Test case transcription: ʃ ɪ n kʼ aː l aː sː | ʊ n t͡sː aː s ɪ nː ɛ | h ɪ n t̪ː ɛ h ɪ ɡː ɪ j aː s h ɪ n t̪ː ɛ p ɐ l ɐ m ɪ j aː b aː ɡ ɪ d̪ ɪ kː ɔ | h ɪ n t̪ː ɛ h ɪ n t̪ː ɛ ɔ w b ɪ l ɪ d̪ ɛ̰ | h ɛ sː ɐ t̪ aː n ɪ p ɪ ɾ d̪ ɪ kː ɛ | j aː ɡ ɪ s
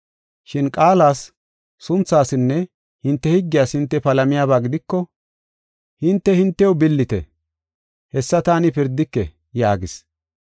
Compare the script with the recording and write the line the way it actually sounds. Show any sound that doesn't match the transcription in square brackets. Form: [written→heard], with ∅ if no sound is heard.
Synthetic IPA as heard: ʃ ɪ n kʼ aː l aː sː | ʊ n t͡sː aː s ɪ nː ɛ | h ɪ n t̪ː ɛ h ɪ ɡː ɪ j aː s h ɪ n t̪ː ɛ p ɐ l ɐ m ɪ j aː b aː ɡ ɪ d̪ ɪ kː ɔ | h ɪ n t̪ː ɛ h ɪ n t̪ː ɛ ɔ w b ɪ [l→lː] ɪ [d̪→t̪] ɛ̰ | h ɛ sː ɐ t̪ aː n ɪ p ɪ ɾ d̪ ɪ kː ɛ | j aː ɡ ɪ s